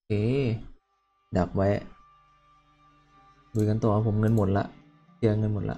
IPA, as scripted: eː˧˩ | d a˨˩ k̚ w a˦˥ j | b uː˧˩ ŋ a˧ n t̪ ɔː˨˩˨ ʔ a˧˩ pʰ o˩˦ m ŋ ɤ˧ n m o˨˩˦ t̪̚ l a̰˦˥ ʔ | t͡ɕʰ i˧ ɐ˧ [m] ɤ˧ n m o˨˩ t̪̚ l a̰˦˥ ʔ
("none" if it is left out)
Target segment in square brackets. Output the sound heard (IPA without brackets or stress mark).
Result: ŋ